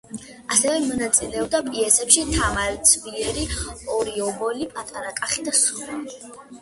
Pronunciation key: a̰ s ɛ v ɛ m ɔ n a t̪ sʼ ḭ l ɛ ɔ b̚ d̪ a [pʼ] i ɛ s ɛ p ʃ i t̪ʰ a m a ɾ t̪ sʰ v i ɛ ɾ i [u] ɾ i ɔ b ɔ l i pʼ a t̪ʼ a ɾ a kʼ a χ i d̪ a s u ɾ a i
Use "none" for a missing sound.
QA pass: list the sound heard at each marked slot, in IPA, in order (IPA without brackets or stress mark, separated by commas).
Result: pʼ, ɔ